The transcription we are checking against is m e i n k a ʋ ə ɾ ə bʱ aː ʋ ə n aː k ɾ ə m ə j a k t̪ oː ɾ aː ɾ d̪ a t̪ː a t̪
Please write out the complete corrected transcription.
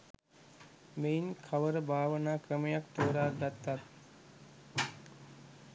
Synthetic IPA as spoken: m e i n kʰ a ʋ ə ɾ ə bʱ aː ʋ ə n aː k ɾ ə m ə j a k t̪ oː ɾ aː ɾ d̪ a t̪ː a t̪

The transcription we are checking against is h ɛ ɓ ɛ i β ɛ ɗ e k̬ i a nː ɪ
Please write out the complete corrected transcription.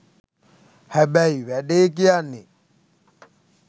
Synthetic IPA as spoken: h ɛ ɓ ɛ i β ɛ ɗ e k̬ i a n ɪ

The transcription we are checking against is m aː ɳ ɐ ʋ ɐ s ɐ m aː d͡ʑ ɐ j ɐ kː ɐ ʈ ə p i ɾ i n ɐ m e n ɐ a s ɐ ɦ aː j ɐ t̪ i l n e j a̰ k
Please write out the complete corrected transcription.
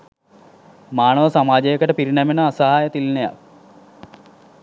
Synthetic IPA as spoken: m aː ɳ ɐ ʋ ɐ s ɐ m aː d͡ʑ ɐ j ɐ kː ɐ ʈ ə p i ɾ i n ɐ m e n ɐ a s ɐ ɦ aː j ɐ t̪ i l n e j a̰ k

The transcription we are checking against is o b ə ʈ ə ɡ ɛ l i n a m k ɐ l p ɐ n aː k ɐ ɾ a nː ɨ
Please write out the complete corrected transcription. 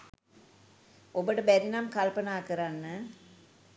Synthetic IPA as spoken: o b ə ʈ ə b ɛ ɾ i n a m k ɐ l p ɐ n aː k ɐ ɾ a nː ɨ

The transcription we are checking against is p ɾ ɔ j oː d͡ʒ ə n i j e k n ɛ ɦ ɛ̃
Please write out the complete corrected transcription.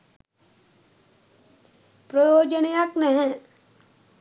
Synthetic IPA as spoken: p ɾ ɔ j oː d͡ʒ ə n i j a k n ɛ ɦ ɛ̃

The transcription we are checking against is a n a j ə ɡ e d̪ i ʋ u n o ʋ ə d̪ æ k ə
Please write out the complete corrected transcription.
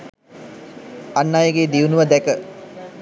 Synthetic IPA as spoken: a nː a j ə ɡ e d̪ i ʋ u n u ʋ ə d̪ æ k ə

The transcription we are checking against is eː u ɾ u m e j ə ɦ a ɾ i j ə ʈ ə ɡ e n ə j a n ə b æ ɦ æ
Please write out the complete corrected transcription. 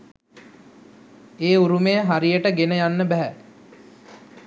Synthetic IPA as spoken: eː u ɾ u m e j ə ɦ a ɾ i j ə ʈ ə ɡ e n ə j a nː ə b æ ɦ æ

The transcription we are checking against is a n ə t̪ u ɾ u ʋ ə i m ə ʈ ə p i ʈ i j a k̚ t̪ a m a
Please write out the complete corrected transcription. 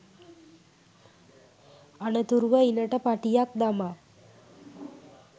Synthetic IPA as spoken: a n ə t̪ u ɾ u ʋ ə i n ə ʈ ə p a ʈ i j a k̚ d̪ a m a

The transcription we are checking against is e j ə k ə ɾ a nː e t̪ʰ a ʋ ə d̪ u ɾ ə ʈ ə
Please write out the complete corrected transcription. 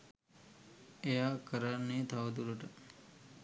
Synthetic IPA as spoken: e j a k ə ɾ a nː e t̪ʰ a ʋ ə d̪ u ɾ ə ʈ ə

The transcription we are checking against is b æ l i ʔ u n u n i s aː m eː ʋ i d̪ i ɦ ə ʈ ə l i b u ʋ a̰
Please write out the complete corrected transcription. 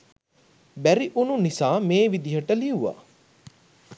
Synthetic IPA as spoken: b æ ɾ i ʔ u n u n i s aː m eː ʋ i d̪ i ɦ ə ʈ ə l i u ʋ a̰

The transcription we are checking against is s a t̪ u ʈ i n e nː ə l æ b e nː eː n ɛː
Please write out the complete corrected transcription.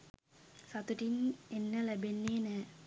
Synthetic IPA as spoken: s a t̪ u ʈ i n e nː ə l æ b e nː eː n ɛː

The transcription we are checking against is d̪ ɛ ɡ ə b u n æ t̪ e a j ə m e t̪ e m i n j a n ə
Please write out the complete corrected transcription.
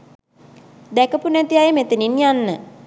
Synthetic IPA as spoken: d̪ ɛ k ə p u n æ t̪ i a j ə m e t̪ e n i n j a nː ə

